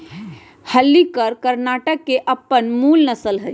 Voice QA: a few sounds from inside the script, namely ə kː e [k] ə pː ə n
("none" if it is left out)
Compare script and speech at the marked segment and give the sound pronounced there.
ʔ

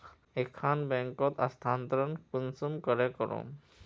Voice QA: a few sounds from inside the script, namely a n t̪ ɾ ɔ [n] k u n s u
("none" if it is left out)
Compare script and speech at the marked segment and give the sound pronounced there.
n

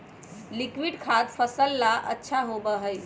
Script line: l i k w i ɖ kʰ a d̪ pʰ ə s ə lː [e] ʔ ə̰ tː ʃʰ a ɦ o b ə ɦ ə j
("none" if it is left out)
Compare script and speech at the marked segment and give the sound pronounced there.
a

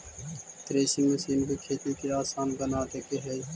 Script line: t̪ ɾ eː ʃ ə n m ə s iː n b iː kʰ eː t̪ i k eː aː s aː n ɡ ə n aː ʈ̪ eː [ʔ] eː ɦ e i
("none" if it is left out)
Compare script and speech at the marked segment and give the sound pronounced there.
k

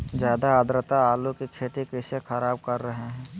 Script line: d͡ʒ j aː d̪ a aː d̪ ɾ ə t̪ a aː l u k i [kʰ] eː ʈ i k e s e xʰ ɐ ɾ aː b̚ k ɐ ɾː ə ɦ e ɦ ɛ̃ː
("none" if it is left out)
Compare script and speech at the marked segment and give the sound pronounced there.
kʰ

